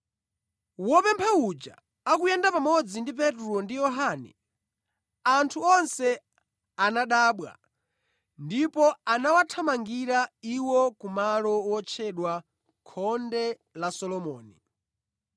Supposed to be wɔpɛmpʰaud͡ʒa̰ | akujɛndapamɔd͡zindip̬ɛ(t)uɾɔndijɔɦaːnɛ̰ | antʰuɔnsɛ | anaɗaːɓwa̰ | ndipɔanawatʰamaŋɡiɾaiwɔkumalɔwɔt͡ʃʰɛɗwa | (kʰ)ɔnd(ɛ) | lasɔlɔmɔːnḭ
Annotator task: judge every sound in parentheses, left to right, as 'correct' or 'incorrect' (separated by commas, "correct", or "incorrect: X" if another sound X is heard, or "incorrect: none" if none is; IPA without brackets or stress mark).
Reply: correct, correct, correct